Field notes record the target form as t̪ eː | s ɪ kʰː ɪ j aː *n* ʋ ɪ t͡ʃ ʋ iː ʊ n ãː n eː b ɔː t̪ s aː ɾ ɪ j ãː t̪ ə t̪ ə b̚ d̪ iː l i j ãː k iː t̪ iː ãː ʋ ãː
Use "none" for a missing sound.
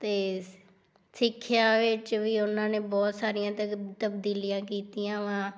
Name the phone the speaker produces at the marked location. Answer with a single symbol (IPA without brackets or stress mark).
none